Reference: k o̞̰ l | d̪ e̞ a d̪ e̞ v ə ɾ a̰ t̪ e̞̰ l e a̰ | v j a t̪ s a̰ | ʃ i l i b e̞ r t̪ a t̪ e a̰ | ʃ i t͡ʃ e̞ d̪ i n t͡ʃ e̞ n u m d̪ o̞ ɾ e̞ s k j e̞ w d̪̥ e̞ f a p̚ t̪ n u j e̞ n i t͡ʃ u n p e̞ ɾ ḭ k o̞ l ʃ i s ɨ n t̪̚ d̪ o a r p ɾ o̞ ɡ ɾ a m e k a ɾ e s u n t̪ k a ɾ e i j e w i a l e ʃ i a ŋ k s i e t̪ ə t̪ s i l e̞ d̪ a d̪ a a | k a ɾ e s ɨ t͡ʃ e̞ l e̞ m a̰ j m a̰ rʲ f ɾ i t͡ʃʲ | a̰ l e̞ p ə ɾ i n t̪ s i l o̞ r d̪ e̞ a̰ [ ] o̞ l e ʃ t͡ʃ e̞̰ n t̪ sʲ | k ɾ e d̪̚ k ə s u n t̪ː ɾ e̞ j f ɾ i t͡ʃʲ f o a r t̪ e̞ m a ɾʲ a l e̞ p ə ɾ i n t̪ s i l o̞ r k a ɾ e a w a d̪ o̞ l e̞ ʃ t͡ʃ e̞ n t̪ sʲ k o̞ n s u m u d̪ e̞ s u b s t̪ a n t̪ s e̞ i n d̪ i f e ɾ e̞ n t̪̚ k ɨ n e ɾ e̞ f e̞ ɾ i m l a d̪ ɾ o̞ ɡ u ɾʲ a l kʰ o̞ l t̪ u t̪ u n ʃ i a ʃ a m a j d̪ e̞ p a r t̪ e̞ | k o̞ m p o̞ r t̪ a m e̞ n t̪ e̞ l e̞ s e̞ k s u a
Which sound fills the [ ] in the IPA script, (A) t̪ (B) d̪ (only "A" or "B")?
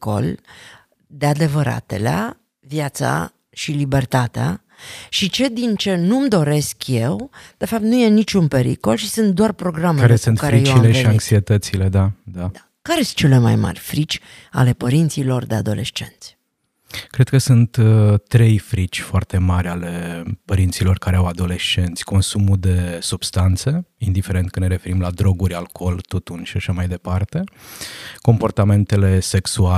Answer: B